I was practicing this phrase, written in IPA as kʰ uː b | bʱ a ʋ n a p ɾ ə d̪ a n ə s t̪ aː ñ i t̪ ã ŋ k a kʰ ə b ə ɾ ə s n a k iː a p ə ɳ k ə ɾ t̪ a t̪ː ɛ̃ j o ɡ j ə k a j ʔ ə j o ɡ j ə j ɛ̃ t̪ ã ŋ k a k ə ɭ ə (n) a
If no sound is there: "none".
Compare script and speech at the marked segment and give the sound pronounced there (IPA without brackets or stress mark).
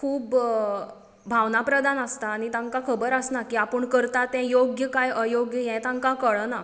n